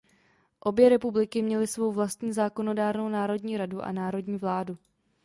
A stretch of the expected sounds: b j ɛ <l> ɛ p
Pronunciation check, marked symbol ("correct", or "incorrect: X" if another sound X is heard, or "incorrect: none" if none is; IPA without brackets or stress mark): incorrect: ɾ